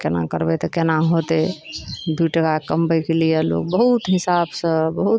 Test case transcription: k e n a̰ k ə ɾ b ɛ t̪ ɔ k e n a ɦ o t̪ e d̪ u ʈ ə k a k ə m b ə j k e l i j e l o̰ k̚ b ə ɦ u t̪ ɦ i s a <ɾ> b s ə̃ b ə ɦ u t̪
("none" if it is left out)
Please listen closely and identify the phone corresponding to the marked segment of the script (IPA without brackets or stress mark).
none